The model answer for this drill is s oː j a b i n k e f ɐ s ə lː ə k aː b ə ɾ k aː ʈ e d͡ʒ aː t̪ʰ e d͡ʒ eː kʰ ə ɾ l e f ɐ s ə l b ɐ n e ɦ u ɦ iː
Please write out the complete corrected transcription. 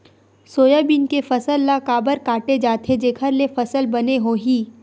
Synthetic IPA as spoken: s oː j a b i n k e f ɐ s ə lː a k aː b ə ɾ k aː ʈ e d͡ʒ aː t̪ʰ e d͡ʒ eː kʰ ə ɾ l e f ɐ s ə l b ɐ n e ɦ o ɦ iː